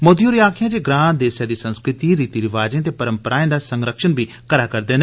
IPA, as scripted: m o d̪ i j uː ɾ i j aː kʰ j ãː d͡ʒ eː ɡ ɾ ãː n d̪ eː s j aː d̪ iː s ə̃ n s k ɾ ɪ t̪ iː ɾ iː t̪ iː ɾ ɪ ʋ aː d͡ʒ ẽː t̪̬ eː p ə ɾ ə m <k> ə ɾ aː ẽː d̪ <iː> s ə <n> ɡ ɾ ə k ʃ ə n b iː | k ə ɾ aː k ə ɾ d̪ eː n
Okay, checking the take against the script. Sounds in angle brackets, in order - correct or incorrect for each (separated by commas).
incorrect, incorrect, incorrect